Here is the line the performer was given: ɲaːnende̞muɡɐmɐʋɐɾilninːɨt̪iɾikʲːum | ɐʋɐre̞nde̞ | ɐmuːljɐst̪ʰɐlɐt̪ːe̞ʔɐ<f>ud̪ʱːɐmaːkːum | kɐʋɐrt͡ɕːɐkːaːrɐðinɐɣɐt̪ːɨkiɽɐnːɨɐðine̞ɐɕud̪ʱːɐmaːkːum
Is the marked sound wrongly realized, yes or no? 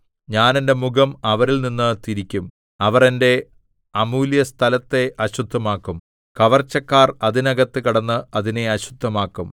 yes